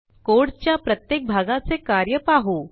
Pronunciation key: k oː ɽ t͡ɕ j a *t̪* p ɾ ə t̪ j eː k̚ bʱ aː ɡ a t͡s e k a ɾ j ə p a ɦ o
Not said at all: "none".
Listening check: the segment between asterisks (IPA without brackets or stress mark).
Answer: none